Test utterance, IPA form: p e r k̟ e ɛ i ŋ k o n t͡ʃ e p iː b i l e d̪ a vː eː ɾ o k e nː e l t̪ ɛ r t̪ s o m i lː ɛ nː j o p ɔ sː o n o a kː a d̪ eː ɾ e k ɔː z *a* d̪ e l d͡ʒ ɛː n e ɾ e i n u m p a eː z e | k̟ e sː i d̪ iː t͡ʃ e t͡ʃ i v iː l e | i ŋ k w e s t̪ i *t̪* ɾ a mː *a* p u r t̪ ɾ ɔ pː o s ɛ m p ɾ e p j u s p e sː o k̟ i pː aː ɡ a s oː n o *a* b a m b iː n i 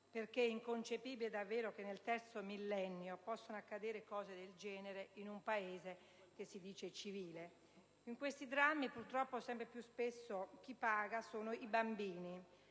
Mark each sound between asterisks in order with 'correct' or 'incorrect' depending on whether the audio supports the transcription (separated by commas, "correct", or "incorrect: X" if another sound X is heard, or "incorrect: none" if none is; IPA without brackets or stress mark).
incorrect: e, incorrect: d̪, incorrect: i, incorrect: i